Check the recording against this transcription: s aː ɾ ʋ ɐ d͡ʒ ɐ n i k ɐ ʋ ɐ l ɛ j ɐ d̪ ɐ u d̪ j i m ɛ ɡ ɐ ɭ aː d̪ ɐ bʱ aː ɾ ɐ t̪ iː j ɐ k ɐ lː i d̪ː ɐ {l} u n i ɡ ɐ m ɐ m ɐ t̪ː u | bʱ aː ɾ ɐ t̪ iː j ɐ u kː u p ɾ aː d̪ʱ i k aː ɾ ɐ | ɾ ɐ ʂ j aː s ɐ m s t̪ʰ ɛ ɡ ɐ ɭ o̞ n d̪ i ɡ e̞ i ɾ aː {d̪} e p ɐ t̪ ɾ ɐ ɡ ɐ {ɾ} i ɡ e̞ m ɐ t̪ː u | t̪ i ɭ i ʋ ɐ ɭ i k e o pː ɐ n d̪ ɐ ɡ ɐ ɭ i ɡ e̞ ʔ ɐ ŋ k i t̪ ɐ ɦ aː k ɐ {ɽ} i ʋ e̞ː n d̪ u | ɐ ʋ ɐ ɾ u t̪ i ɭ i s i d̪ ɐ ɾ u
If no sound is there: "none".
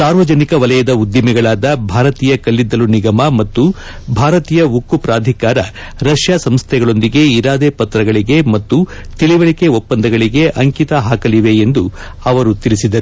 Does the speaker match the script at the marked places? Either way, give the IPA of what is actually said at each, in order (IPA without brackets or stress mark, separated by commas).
l, d̪, ɭ, l